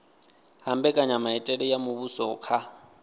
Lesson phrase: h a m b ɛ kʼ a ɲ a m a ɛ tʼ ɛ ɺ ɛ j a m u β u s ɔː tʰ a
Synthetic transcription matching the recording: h a m b ɛ kʼ a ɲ a m a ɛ tʼ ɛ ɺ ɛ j a m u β u s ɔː kʰ a